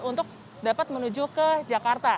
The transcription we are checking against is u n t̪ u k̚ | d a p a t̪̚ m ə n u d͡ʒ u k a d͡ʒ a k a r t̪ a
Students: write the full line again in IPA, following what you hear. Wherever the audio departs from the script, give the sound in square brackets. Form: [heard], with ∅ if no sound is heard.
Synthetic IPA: u n t̪ [ʊ] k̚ | d a p a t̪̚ m ə n u d͡ʒ u k [ə] d͡ʒ a k a r t̪ a